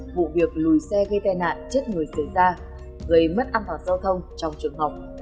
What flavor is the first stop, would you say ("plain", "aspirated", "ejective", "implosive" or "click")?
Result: plain